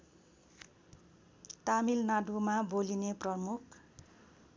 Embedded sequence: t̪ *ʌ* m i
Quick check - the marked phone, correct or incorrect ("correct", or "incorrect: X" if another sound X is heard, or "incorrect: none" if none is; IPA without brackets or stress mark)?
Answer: incorrect: a